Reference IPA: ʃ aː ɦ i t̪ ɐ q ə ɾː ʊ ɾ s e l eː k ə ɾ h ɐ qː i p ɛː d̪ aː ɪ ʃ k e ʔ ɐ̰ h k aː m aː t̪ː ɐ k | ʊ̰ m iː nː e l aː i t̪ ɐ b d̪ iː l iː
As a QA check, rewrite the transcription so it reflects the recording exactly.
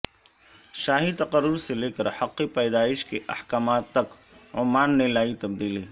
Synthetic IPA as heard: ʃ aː ɦ i t̪ ɐ q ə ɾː ʊ ɾ s e l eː k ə ɾ h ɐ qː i p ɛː d̪ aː ɪ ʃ k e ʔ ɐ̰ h k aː m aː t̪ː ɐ k | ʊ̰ m aː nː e l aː i t̪ ɐ b d̪ iː l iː